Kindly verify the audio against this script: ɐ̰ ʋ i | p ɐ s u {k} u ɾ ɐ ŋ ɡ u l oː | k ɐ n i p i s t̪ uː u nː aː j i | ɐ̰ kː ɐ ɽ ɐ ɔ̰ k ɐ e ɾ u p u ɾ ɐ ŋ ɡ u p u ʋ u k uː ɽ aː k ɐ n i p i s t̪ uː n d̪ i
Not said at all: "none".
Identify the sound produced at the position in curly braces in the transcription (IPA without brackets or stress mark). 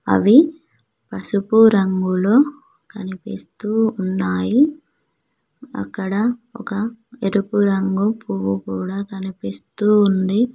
p